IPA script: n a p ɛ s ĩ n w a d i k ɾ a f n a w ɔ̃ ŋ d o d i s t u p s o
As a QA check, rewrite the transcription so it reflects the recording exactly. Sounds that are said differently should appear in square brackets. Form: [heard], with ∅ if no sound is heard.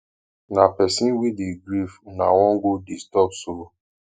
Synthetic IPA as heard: n a p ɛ s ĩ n w [i] d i [ɡ] ɾ [i] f n a w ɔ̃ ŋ [ɡ] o d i s t [ɔ] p s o